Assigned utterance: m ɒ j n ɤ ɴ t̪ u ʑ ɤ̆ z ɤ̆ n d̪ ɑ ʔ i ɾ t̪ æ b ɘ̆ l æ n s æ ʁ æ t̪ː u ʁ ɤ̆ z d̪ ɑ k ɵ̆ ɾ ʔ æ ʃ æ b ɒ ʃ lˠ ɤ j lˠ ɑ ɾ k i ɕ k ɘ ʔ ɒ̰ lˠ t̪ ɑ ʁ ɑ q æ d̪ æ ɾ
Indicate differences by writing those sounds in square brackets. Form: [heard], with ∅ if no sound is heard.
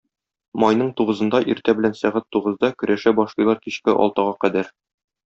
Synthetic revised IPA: m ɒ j n ɤ ɴ t̪ u [ʁ] ɤ̆ z ɤ̆ n d̪ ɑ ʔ i ɾ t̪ æ b ɘ̆ l æ n s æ ʁ æ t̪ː u ʁ ɤ̆ z d̪ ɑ k ɵ̆ ɾ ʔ æ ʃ æ b ɒ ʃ lˠ ɤ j lˠ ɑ ɾ k i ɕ k ɘ ʔ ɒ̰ lˠ t̪ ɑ ʁ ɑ q æ d̪ æ ɾ